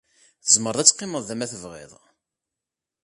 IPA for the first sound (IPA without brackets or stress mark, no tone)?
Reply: θ